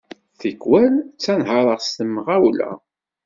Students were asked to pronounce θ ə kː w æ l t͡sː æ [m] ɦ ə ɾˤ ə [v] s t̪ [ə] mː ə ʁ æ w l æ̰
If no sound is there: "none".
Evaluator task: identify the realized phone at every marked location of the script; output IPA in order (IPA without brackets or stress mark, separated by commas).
n, ʁ, ə